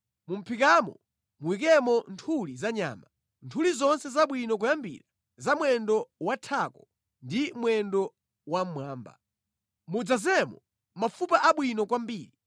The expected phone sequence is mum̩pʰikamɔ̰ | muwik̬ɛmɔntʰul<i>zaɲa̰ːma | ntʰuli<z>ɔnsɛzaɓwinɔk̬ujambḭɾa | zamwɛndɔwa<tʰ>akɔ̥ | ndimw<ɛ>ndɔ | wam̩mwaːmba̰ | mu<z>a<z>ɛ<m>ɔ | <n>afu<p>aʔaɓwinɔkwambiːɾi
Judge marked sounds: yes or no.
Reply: yes, yes, yes, yes, no, yes, yes, no, yes

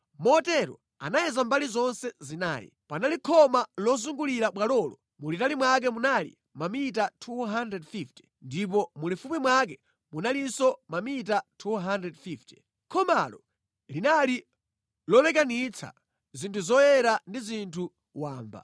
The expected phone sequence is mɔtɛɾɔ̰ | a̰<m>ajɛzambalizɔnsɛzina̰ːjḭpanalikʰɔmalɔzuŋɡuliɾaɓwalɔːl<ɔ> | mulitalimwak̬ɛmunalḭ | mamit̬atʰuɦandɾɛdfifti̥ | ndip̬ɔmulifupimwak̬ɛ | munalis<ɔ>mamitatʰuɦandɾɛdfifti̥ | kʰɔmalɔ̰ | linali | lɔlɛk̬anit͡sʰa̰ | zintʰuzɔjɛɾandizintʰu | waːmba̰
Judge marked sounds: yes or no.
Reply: no, yes, yes

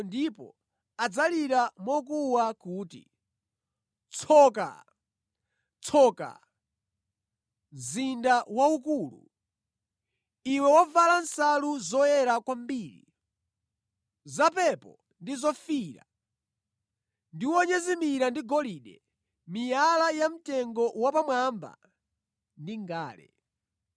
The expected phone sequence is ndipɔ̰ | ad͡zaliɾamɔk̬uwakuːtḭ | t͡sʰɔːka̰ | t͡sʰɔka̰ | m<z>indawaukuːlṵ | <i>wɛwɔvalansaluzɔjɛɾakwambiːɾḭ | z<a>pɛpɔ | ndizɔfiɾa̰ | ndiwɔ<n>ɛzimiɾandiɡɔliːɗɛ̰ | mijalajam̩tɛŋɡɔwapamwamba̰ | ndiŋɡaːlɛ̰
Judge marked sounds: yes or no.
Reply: yes, yes, yes, no

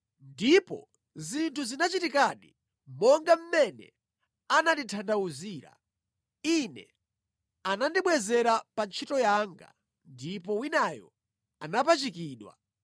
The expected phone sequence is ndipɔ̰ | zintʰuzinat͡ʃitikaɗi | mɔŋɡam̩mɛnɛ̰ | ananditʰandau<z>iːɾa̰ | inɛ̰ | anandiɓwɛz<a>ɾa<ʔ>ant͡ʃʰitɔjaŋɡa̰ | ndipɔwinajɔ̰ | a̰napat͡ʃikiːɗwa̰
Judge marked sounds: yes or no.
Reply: yes, no, no

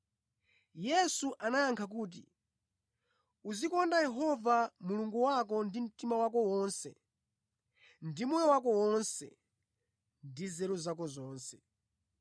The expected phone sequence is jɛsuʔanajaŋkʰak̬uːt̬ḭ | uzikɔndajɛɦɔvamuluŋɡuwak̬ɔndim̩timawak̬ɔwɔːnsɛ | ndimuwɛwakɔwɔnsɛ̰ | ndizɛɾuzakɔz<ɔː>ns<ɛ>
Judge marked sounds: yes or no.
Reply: yes, yes

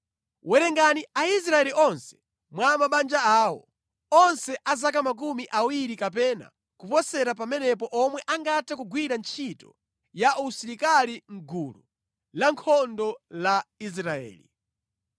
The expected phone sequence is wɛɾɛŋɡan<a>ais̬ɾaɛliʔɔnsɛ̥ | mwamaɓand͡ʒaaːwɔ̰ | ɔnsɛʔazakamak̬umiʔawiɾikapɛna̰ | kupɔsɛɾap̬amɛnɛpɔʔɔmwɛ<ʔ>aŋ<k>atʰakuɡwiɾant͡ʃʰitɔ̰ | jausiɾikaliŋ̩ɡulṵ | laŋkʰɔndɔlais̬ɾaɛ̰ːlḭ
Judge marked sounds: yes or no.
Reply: no, yes, no

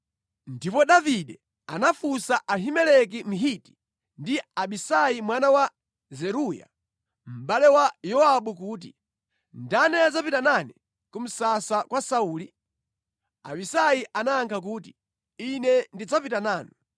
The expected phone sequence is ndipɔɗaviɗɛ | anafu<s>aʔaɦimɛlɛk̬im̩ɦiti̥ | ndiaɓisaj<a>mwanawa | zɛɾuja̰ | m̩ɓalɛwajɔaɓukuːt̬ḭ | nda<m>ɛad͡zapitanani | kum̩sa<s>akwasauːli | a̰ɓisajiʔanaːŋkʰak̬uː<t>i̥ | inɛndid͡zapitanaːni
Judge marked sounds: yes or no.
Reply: yes, no, no, yes, yes

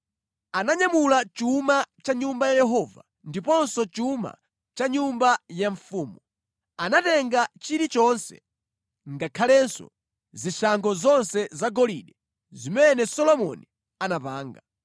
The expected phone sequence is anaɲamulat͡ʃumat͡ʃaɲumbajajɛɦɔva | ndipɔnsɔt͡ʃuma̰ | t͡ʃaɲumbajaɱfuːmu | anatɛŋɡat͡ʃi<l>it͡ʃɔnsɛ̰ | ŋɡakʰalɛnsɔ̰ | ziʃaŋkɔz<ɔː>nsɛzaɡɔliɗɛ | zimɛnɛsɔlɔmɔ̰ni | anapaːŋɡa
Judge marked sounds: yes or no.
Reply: no, no

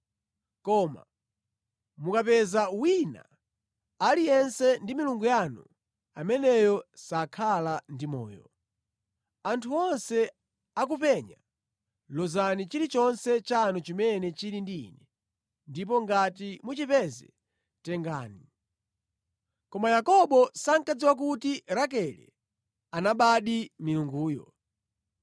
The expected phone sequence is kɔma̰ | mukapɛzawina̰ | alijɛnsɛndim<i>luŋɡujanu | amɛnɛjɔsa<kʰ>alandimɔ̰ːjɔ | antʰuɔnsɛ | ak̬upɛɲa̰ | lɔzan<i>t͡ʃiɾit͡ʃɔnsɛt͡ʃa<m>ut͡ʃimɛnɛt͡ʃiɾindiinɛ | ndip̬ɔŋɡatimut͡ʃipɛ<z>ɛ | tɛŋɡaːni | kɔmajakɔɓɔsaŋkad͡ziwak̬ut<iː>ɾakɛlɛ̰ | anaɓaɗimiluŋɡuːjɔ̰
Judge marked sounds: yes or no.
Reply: yes, yes, yes, no, yes, no

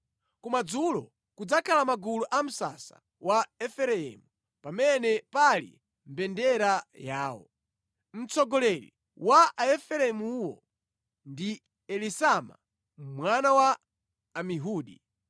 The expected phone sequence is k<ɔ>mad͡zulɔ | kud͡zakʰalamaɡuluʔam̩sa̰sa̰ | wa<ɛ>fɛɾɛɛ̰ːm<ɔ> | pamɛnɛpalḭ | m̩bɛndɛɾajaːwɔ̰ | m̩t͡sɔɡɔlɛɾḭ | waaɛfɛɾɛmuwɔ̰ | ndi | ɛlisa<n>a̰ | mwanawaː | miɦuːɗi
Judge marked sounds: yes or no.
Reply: no, yes, no, no

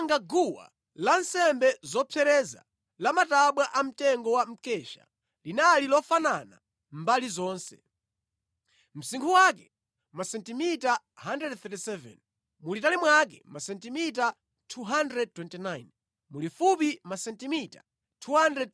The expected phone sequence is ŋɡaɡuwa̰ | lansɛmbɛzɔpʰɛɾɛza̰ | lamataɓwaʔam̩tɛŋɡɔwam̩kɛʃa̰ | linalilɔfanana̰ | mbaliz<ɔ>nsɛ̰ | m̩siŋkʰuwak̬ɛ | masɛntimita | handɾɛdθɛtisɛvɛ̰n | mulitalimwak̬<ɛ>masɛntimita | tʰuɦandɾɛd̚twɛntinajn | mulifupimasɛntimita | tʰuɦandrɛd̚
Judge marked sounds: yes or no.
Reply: no, yes

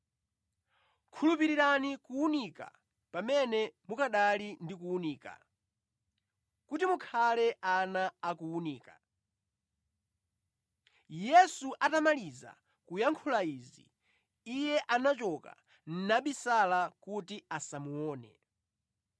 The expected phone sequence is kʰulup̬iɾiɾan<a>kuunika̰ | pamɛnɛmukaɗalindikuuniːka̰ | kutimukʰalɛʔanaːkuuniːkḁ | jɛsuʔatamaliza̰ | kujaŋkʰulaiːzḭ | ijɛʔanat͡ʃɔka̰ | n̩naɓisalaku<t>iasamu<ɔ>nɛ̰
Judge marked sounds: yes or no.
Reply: no, yes, no

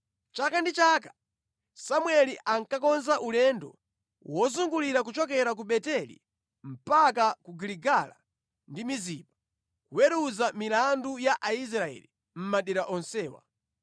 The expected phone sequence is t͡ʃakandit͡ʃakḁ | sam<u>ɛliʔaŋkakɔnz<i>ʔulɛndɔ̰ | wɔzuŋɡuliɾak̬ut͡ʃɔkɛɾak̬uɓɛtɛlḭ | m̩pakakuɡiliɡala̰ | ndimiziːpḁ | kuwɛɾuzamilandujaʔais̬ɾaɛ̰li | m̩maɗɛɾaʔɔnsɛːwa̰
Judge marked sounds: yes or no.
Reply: no, no

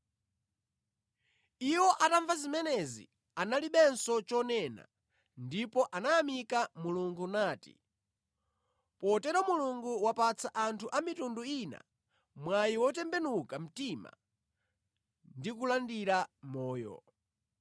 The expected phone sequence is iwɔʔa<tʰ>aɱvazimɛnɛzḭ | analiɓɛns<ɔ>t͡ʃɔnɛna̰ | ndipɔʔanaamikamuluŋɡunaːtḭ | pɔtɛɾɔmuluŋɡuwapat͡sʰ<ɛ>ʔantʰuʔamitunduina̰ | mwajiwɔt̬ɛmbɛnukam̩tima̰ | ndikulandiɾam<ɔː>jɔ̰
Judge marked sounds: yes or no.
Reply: no, yes, no, yes

